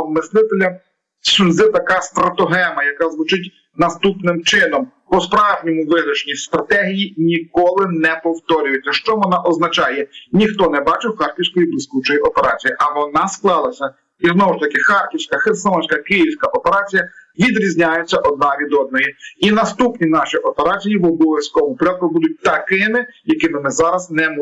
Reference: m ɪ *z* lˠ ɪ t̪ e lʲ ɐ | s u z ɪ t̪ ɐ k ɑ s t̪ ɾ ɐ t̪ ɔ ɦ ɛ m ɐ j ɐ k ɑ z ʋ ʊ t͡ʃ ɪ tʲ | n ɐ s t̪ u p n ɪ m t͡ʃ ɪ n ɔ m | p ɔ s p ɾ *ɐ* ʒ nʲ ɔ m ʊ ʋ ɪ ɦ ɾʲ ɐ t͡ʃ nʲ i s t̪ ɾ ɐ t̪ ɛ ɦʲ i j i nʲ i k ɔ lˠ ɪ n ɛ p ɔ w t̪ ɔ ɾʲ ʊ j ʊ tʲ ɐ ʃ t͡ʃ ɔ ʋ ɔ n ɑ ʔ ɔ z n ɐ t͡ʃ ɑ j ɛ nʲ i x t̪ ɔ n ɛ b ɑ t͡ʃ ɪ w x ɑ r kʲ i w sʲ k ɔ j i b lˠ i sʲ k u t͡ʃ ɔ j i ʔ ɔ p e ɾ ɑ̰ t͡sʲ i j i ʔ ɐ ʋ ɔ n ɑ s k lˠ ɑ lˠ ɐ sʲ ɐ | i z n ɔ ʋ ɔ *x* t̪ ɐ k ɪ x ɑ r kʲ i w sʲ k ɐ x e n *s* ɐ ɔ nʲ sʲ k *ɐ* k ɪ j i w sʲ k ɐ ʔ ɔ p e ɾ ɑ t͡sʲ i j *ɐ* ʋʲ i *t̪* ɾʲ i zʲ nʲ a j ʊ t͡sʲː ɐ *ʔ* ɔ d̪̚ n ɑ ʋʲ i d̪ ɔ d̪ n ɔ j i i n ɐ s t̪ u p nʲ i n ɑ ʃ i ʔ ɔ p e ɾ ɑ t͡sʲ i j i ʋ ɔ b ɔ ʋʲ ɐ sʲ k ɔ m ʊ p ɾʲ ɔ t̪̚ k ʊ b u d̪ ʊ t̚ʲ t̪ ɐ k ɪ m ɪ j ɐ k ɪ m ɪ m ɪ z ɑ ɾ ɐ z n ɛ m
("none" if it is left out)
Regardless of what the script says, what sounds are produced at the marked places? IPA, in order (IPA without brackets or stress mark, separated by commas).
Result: s, ɑ, ʃ, s, ɐ, ɐ, d̪, ʔ